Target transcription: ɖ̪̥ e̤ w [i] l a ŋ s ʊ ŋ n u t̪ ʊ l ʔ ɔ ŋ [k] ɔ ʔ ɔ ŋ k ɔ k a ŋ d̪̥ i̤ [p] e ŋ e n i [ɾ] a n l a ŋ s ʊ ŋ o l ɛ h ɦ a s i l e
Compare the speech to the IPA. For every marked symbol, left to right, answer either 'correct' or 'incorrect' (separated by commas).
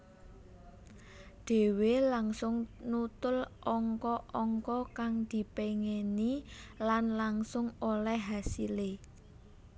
incorrect, correct, correct, incorrect